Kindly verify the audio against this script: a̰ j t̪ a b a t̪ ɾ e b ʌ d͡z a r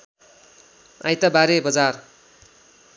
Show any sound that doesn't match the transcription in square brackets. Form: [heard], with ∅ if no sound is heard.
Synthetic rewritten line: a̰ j t̪ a b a [∅] ɾ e b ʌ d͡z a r